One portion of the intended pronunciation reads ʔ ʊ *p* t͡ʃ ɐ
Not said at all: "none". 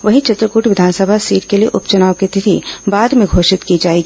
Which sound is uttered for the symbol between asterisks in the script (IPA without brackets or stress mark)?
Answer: p